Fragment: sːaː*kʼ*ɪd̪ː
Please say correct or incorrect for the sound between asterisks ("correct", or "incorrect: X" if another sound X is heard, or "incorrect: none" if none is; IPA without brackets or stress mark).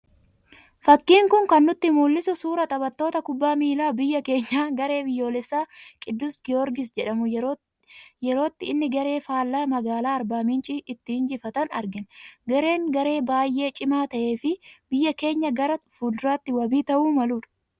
correct